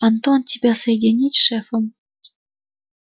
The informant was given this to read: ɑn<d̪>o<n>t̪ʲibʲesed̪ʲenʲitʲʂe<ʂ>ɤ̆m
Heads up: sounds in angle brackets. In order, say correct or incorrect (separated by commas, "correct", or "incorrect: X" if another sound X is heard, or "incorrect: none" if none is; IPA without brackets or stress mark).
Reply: incorrect: t̪, correct, incorrect: f